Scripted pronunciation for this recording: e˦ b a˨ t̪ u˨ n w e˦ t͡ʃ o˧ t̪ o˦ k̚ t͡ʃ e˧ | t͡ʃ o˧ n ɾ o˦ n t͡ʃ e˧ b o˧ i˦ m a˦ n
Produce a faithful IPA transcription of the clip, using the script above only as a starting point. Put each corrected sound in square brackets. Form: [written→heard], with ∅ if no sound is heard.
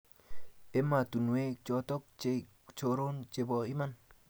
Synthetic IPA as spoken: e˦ [b→m] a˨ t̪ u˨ n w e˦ t͡ʃ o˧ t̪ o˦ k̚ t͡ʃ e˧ | t͡ʃ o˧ [n→∅] ɾ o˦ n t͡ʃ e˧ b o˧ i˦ m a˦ n